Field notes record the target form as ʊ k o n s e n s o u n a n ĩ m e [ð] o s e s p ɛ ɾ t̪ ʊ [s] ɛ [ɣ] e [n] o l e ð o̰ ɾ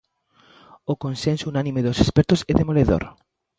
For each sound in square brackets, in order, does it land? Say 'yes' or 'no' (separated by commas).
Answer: yes, yes, no, no